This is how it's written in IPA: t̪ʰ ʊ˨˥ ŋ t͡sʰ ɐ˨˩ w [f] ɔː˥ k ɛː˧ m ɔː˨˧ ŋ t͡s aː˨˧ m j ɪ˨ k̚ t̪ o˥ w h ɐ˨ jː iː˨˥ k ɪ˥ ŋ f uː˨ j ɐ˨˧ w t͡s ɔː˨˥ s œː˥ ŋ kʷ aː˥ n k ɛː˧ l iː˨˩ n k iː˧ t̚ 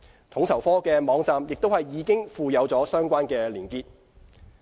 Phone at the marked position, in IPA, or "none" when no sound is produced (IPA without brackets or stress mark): f